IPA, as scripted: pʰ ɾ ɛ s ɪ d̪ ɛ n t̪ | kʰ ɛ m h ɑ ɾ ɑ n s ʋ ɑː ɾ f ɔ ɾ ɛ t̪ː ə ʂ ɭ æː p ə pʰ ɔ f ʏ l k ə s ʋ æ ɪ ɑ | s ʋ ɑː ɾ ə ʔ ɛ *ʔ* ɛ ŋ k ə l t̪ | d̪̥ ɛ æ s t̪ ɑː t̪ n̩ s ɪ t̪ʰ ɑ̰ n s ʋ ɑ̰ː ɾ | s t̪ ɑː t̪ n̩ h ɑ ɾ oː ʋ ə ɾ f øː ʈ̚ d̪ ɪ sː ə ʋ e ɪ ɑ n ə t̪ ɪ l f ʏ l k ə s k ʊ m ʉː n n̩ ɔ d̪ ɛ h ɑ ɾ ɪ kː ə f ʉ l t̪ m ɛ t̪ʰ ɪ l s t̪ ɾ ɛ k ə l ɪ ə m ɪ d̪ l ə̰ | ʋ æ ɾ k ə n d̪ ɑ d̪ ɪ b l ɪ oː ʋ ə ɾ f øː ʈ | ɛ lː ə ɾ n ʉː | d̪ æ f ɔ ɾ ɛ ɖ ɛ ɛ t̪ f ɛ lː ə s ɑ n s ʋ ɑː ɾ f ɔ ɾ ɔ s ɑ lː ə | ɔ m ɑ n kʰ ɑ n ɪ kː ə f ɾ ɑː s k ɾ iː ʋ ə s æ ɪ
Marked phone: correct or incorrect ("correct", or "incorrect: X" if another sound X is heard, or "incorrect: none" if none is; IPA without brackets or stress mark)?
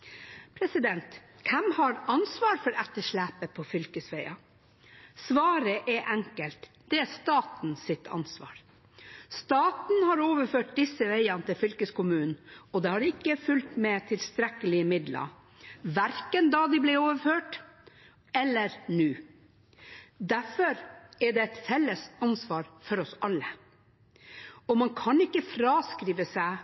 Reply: correct